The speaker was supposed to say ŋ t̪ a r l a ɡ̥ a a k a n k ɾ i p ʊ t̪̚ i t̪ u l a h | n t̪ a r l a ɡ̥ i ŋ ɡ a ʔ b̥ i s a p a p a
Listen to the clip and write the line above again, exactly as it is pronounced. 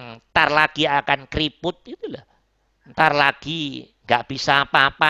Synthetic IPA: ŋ t̪ a r l a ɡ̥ i a k a n k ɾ i p ʊ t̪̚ i t̪ u l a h | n t̪ a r l a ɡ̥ i ŋ ɡ a ʔ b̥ i s a p a p a